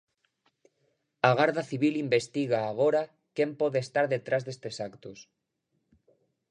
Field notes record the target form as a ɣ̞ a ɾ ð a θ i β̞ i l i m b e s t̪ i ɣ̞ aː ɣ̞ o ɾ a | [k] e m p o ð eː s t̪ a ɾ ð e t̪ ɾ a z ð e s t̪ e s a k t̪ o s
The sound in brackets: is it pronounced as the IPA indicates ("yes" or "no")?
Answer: yes